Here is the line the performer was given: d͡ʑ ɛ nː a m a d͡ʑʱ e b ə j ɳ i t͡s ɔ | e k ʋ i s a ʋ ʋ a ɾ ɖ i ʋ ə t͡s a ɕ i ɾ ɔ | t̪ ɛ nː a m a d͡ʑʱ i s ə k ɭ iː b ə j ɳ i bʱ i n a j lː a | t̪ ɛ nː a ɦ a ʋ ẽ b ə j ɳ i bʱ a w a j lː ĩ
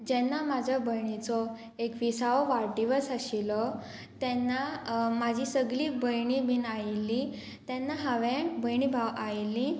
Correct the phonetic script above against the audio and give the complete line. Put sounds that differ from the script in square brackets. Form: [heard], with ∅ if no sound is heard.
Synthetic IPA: d͡ʑ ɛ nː a m a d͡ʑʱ [a] b ə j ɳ i t͡s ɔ | e k ʋ i s a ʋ ʋ a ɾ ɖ i ʋ ə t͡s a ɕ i [l] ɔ | t̪ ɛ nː a m a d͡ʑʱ i s ə [ɡ] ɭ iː b ə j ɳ i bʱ i n a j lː [i] | t̪ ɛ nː a ɦ a ʋ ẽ b ə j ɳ i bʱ a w a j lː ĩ

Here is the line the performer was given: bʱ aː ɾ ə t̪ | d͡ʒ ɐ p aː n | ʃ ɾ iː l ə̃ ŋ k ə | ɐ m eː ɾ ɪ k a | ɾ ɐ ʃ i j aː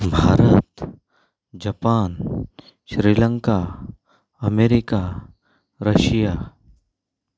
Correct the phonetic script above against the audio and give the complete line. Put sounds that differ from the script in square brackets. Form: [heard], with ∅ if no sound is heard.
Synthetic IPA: bʱ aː ɾ ə t̪ | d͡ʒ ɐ p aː n | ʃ ɾ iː l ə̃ ŋ k [a] | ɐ m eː ɾ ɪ k a | ɾ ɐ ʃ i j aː

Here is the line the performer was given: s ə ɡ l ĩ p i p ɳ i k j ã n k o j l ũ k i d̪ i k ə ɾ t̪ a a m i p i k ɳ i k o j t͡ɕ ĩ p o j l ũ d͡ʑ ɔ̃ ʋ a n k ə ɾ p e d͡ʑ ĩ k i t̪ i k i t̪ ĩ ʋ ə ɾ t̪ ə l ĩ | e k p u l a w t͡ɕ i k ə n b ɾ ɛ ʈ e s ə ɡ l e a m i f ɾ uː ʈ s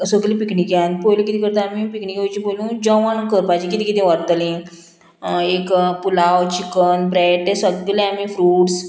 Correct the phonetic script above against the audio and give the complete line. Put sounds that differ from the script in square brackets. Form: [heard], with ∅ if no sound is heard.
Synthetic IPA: s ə ɡ l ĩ p i [k] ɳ i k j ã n [p] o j l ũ k i [t̪] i k ə ɾ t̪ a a m i p i k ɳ i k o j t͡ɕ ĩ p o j l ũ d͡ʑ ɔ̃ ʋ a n k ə ɾ p [a] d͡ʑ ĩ k i t̪ i k i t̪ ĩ ʋ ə ɾ t̪ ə l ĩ | e k p u l a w t͡ɕ i k ə n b ɾ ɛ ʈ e s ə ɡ l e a m i f ɾ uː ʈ s

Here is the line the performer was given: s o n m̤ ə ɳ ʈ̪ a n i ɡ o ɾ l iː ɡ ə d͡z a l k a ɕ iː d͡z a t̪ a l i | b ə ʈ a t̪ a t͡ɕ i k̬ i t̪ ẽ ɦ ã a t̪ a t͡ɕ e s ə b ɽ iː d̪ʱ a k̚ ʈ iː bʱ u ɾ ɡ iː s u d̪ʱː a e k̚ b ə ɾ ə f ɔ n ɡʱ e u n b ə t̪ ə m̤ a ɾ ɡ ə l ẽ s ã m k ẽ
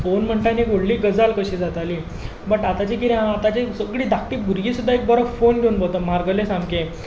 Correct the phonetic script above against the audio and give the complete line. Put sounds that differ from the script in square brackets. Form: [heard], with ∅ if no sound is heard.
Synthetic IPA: [f] o n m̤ ə ɳ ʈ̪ a n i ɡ o [ɽ] l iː ɡ ə d͡z a l k [ə] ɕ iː d͡z a t̪ a l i | b ə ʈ a t̪ a t͡ɕ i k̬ i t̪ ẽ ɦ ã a t̪ a t͡ɕ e s ə [ɡ] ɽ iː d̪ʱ a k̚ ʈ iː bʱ u ɾ ɡ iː s u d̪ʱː a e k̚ b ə ɾ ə f [o] n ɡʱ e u n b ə t̪ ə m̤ a ɾ ɡ ə l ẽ s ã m k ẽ

